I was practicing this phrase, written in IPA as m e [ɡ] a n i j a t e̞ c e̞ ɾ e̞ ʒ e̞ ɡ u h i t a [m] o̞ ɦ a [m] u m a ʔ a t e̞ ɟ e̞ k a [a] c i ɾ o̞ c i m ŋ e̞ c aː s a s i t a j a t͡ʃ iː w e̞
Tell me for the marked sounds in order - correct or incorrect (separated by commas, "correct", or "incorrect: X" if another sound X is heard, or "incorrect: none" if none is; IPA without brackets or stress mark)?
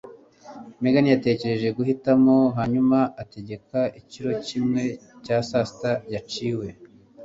correct, correct, incorrect: ɲ, incorrect: i